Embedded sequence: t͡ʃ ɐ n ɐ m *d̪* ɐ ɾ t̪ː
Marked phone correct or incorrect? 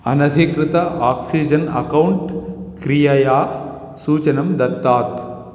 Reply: correct